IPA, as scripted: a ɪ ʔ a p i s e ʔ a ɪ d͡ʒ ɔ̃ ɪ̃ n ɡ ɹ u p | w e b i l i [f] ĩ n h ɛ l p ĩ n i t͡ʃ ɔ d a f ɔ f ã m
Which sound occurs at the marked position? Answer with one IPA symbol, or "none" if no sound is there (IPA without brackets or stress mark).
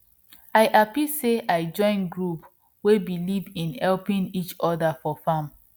v